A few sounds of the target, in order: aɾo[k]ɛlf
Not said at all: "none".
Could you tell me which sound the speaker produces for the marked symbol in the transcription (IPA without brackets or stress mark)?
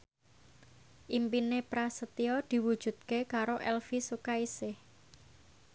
ʔ